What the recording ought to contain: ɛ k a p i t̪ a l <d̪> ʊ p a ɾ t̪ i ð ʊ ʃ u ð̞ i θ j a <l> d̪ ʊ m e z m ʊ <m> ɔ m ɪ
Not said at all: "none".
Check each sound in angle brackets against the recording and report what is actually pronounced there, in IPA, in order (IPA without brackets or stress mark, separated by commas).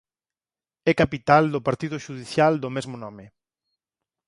d̪, l, n